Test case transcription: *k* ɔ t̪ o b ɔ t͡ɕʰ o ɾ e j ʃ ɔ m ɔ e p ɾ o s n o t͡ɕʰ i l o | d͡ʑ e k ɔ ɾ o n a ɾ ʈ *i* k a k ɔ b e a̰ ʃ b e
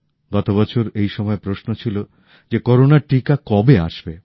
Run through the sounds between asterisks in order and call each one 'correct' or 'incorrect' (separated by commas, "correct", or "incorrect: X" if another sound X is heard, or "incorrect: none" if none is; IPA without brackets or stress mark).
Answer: incorrect: ɡ, correct